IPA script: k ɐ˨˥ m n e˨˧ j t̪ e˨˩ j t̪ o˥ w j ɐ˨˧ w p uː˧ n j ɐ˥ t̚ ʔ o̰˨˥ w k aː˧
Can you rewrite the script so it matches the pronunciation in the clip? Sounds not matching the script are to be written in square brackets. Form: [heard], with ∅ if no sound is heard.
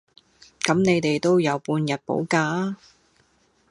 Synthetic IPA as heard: k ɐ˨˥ m n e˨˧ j t̪ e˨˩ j t̪ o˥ w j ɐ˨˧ w p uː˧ n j [ɐ˨] t̚ [p] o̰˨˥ w k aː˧